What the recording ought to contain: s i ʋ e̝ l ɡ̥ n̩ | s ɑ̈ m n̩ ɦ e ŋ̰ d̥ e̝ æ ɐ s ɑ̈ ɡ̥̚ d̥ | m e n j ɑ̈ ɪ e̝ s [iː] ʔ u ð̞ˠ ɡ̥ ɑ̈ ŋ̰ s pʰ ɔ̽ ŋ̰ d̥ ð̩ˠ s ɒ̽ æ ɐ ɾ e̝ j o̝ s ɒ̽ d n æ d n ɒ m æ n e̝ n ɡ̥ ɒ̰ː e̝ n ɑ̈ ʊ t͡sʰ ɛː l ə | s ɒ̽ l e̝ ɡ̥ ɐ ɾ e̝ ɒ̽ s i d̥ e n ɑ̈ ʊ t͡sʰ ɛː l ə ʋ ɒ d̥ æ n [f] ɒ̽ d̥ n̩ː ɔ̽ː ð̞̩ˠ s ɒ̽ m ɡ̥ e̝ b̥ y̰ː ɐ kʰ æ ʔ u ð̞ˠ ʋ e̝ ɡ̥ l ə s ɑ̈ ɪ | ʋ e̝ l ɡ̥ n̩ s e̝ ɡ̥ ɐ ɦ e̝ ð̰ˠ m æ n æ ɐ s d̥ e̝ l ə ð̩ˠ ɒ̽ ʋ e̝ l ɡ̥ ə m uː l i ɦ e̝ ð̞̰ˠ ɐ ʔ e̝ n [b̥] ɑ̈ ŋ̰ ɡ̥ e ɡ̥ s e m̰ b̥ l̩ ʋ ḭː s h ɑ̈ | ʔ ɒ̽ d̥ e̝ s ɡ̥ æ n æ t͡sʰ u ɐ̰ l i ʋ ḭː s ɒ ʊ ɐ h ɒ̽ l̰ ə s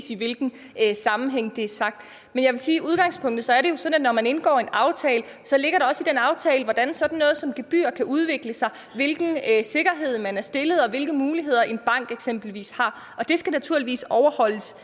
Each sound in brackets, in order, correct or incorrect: correct, incorrect, correct

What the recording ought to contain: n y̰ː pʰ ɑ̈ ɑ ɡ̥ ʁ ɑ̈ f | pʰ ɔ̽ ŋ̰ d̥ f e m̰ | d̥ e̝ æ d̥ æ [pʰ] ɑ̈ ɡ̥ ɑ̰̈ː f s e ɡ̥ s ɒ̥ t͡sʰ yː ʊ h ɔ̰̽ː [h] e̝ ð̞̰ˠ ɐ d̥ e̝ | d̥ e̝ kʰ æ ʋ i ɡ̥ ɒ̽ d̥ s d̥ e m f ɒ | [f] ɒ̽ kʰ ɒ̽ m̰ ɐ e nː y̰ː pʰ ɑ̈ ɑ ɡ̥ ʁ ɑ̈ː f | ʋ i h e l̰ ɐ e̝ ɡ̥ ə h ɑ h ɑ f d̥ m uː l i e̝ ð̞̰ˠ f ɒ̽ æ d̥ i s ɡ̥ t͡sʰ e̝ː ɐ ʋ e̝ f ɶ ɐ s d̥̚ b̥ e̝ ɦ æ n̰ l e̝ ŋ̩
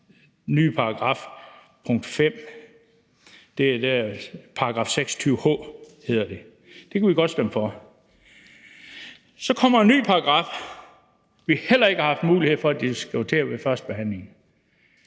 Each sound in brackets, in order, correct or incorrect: correct, correct, incorrect

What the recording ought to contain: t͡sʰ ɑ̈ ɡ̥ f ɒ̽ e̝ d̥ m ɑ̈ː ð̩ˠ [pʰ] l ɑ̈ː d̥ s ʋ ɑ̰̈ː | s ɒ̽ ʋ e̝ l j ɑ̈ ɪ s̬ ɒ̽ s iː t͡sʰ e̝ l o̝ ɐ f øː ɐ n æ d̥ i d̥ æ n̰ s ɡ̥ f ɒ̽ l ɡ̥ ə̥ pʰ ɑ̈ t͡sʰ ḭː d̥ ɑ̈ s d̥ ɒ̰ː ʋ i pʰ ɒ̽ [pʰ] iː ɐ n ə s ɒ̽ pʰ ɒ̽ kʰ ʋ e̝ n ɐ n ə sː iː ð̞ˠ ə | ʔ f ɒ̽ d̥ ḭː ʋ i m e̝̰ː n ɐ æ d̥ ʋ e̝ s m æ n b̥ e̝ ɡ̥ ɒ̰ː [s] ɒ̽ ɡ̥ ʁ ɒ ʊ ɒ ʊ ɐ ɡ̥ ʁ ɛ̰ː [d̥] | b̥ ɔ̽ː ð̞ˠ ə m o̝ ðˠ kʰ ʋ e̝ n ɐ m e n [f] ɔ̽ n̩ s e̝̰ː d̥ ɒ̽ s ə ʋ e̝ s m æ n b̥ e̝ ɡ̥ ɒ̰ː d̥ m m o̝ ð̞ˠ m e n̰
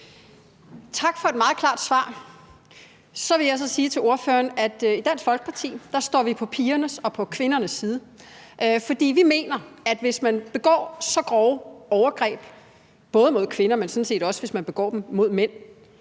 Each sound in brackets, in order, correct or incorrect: incorrect, correct, correct, incorrect, incorrect

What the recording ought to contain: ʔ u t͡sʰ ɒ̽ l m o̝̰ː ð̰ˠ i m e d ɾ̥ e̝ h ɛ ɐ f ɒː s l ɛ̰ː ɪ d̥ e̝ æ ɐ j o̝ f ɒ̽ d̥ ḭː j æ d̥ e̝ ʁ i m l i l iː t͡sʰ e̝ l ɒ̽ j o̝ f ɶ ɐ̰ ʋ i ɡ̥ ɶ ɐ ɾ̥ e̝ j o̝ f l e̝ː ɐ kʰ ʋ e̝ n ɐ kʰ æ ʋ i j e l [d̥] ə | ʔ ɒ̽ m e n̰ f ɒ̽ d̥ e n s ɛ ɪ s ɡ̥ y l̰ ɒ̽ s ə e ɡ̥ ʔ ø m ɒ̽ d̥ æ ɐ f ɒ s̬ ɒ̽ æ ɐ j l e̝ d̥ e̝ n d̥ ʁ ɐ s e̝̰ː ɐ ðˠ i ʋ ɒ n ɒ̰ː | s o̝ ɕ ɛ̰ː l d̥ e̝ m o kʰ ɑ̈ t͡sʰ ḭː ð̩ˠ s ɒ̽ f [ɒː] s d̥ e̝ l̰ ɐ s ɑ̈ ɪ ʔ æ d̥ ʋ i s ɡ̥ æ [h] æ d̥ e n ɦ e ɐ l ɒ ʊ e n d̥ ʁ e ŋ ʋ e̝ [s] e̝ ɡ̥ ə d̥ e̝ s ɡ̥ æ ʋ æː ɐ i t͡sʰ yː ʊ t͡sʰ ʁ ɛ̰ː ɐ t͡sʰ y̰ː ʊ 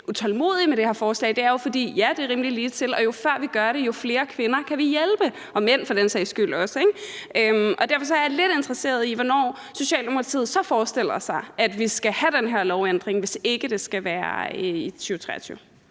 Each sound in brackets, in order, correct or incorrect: incorrect, correct, correct, correct

